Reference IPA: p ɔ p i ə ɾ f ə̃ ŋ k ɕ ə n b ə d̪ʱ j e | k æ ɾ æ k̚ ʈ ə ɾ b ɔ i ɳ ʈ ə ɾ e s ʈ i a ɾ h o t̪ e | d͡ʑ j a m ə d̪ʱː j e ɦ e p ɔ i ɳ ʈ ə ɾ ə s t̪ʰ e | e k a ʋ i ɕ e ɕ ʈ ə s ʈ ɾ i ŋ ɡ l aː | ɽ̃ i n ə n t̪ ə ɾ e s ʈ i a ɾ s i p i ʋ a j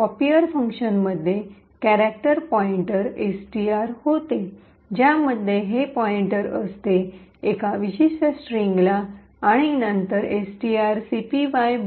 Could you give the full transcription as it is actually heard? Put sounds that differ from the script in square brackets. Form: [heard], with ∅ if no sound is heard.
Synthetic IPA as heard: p ɔ p i ə ɾ f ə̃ ŋ k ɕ ə n [m] ə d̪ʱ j e | k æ ɾ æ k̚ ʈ ə ɾ [p] ɔ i ɳ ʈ ə ɾ e s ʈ i a ɾ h o t̪ e | d͡ʑ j a m ə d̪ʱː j e ɦ e p ɔ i ɳ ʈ ə ɾ ə s [t̪] e | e k a ʋ i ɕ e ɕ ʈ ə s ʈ ɾ i ŋ ɡ l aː | ɽ̃ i n ə n t̪ ə ɾ e s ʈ i a ɾ s i p i ʋ a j